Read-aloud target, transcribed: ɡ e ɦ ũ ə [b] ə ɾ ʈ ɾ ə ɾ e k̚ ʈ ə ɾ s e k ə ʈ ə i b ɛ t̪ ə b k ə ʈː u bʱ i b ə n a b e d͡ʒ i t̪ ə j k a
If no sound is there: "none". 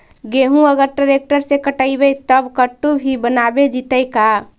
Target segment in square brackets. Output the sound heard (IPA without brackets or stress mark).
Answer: ɡ